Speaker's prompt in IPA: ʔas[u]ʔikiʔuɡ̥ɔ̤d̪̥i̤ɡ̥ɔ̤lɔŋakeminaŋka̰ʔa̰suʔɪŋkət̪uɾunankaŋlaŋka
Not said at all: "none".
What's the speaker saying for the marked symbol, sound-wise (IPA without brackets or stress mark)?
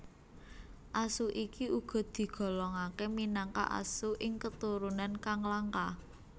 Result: u